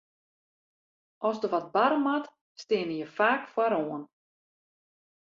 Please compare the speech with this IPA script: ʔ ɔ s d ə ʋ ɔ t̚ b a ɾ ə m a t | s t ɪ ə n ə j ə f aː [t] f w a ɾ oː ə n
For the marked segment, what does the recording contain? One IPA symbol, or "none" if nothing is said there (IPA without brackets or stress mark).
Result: k